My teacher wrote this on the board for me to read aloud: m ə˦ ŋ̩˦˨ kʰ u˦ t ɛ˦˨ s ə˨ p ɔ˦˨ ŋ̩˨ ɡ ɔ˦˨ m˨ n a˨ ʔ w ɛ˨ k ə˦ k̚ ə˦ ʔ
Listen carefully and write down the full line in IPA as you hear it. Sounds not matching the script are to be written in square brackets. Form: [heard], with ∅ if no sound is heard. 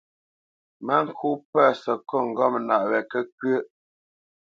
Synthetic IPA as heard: m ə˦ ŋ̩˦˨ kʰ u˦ [p] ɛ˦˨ s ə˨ [k] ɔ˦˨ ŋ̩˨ ɡ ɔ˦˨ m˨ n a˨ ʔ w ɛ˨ k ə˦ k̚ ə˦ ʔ

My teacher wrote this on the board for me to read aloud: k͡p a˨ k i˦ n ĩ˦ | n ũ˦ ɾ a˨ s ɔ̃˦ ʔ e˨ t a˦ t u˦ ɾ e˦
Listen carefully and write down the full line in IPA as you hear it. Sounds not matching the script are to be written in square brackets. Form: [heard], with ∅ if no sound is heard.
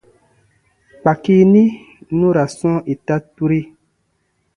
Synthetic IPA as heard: k͡p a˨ k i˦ n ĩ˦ | n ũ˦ ɾ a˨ s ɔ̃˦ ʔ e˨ t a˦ t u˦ ɾ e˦

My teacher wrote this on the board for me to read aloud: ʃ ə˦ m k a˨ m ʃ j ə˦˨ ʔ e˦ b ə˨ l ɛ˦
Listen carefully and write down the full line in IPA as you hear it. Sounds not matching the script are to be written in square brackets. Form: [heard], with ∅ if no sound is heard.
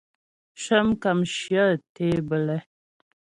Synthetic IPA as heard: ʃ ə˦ m k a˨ m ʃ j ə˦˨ [t] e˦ b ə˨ l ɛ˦

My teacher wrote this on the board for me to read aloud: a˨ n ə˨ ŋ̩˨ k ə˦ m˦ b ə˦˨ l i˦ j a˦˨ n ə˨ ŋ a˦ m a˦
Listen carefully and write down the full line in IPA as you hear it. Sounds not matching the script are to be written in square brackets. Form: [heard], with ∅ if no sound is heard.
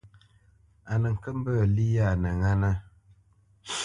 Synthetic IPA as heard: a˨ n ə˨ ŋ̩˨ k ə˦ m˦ b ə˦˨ l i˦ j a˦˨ n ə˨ ŋ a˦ [n] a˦

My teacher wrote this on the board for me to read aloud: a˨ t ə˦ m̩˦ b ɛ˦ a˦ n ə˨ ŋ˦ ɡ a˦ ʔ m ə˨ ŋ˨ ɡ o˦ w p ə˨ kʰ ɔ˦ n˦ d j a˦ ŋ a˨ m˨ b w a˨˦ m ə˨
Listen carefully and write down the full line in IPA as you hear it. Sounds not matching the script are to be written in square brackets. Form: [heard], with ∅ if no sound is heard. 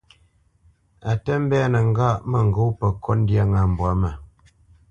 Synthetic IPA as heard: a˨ t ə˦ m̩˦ b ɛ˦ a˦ n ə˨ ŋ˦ ɡ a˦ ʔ m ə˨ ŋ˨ ɡ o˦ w p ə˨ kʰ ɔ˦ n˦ d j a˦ ŋ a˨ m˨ b w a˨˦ m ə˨

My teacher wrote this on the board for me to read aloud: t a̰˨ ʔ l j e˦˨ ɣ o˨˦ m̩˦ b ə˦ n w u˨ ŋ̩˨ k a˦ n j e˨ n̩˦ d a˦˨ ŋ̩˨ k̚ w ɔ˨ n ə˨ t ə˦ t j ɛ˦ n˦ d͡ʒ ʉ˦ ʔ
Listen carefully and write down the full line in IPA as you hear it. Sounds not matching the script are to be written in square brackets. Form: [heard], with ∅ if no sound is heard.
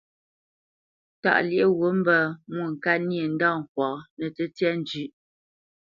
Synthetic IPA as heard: t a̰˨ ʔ l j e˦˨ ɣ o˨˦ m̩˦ b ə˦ [m] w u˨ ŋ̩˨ k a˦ n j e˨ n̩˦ d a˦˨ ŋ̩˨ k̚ w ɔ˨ n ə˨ t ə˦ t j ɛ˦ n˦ d͡ʒ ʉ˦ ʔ

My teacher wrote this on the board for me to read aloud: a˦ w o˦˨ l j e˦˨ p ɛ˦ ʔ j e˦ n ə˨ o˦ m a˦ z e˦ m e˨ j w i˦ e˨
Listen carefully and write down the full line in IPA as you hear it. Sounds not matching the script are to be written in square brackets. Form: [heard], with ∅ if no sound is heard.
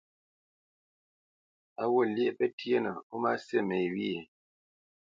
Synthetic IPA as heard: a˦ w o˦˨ l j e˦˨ p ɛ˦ [t] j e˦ n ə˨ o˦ m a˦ [s] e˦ m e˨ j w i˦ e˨

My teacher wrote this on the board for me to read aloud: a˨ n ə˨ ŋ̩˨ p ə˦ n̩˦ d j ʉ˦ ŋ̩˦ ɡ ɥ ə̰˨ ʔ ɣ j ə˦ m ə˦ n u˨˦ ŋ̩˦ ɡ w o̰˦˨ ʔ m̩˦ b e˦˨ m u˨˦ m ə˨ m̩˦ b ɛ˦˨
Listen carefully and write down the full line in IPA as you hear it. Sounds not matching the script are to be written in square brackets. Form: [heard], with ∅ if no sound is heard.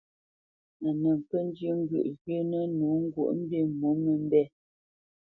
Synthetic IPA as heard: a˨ n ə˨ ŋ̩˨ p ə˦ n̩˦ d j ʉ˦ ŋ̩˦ ɡ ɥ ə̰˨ ʔ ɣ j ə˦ [n] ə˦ n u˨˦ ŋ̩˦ ɡ w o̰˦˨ ʔ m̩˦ b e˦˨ m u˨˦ m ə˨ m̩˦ b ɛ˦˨

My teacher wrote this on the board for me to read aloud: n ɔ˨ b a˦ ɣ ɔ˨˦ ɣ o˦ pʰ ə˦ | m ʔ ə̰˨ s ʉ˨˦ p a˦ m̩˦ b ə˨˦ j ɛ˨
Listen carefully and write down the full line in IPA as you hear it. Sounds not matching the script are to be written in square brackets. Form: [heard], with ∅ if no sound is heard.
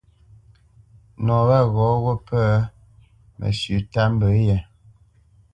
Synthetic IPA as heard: n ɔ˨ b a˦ ɣ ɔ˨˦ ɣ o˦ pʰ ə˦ | m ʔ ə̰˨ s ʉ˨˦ [t] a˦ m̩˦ b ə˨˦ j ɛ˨

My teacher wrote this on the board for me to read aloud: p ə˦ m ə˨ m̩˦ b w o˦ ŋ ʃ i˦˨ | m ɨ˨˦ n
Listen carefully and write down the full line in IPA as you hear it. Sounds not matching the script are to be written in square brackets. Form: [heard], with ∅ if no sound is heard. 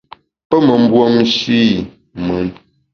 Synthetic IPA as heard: p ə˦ m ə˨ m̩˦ b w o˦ [m] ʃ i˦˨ | m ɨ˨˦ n

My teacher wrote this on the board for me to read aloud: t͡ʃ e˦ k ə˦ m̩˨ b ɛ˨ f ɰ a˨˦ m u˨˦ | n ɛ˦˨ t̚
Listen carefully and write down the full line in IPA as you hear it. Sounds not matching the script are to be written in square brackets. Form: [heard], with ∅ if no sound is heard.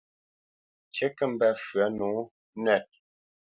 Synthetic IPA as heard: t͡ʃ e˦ k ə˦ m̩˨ b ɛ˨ f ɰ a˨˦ [n] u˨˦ | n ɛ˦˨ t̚

